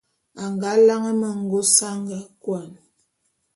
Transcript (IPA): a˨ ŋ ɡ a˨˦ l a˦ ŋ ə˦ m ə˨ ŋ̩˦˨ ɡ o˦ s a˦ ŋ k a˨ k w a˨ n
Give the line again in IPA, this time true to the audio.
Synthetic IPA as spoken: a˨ ŋ ɡ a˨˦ l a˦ ŋ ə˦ m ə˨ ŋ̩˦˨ ɡ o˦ s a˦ ŋ ɡ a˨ k w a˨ n